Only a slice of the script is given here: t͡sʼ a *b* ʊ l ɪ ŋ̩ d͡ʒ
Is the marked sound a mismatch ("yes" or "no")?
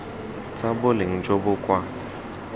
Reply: no